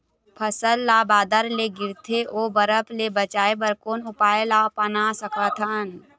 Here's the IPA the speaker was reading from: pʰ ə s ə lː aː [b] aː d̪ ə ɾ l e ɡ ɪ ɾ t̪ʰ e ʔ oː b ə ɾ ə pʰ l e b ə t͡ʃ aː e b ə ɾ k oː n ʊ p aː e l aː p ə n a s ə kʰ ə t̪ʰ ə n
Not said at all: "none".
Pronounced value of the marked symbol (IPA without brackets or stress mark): b